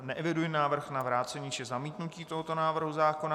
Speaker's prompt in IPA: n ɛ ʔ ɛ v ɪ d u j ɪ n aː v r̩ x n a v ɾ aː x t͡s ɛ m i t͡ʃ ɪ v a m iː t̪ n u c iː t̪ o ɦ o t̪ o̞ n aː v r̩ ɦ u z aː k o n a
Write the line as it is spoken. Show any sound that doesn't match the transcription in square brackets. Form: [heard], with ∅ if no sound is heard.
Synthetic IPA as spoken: n ɛ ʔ ɛ v ɪ d u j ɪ n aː v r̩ x n a v ɾ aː [∅] t͡s ɛ [ɲ] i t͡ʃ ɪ [z] a m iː t̪ n u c iː t̪ o ɦ o t̪ o̞ n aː v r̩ ɦ u z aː k o n a

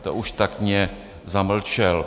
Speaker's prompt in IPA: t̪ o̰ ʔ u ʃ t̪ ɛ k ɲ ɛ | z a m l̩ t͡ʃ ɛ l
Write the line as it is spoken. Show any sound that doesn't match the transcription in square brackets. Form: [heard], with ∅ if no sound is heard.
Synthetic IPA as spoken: t̪ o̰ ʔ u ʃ t̪ [a] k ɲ ɛ | z a m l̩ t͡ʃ ɛ l

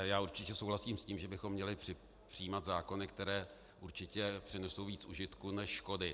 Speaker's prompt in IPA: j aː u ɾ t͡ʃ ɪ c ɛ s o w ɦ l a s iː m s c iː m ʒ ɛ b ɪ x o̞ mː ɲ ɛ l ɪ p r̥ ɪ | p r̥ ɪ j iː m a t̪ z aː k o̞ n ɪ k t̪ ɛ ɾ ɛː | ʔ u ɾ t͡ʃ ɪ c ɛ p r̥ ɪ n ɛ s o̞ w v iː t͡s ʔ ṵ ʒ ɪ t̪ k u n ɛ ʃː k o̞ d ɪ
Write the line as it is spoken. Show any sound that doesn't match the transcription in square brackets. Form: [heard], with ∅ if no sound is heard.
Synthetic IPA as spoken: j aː u ɾ t͡ʃ ɪ c ɛ s o w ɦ l a s iː m s c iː m ʒ ɛ b ɪ x o̞ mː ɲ ɛ l ɪ p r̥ ɪ | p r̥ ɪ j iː m a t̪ z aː k o̞ n ɪ k t̪ ɛ ɾ ɛː | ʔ u ɾ t͡ʃ ɪ c ɛ p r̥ ɪ n ɛ s o̞ w v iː t͡s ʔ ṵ ʒ ɪ t̪ k u n ɛ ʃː k o̞ d ɪ

